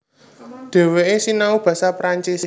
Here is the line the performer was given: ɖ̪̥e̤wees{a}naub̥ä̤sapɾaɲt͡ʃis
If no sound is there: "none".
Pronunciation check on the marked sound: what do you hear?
i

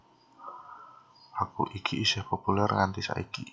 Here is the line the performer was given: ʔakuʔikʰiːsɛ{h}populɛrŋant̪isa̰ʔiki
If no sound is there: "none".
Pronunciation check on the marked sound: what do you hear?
h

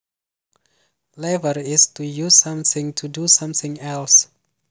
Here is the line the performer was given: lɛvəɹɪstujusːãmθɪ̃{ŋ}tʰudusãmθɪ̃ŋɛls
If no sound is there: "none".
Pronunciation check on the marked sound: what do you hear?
ŋ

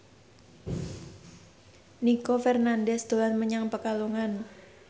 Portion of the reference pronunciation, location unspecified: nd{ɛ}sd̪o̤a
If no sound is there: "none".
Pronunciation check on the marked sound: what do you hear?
ɛ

